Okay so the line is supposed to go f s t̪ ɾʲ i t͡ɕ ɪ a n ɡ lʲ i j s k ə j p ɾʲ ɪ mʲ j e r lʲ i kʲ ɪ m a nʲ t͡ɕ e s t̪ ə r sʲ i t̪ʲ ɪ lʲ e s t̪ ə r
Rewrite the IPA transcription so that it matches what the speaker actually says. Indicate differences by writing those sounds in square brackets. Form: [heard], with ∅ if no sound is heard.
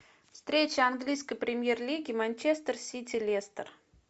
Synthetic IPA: f s t̪ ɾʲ [e] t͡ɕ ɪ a n ɡ lʲ i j s k ə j p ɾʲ ɪ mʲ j e r lʲ i [ɡʲ] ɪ m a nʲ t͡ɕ e s t̪ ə r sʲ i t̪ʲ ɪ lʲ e s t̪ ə r

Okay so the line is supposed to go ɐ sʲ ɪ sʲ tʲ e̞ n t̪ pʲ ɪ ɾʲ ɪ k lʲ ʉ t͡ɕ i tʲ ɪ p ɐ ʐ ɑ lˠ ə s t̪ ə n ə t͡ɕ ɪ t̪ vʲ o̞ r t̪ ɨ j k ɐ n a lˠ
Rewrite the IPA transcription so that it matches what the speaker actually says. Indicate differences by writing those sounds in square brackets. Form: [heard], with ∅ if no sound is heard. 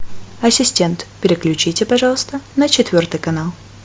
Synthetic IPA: ɐ sʲ ɪ sʲ tʲ e̞ n t̪ pʲ ɪ ɾʲ ɪ k lʲ ʉ t͡ɕ i tʲ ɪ p ɐ ʐ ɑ lˠ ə s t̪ ə n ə t͡ɕ ɪ t̪ vʲ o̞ r t̪ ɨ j k ɐ n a lˠ

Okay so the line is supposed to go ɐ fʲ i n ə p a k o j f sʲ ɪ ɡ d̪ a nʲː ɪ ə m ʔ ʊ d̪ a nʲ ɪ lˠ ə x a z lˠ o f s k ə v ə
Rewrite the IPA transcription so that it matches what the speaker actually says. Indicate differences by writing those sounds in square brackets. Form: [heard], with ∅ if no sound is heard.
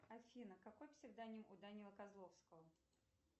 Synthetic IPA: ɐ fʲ i n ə [k] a k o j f sʲ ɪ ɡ d̪ a [nʲ] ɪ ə m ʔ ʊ d̪ a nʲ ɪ lˠ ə [k] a z lˠ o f s k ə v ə

